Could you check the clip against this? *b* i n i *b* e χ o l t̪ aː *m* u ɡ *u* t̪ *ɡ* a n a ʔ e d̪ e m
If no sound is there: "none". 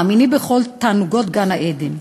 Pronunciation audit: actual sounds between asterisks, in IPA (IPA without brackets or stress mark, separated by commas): m, b, n, o, ɡ